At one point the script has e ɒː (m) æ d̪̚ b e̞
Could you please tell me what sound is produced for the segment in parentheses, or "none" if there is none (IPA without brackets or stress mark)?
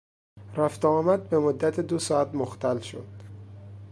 m